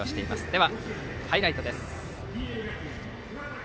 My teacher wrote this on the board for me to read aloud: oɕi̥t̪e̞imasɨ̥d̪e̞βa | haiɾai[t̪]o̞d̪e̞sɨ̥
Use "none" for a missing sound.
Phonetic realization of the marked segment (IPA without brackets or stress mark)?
t̪